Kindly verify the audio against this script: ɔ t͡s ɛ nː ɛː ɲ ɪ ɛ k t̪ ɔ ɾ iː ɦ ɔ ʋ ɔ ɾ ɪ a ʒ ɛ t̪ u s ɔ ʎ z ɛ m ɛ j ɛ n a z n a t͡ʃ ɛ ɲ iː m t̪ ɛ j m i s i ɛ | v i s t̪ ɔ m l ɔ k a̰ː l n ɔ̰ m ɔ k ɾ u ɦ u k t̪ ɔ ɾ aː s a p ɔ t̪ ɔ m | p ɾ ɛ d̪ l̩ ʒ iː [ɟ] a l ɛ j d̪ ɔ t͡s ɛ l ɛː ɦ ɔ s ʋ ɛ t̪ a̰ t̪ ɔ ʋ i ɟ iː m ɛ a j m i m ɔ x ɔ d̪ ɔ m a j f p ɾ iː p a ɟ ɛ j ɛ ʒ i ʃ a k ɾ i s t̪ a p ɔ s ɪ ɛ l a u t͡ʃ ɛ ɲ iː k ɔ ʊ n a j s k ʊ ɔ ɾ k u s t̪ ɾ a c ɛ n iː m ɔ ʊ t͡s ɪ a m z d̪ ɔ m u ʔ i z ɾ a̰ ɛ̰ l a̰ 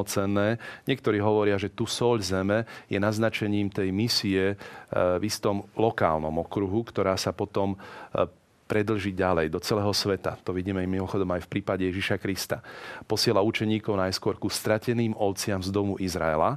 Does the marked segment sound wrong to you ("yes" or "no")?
no